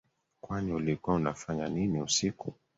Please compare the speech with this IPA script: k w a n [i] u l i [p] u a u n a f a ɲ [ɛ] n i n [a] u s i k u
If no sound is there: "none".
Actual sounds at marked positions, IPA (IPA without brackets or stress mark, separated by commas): i, k, a, i